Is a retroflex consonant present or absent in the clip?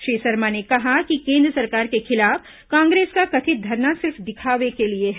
absent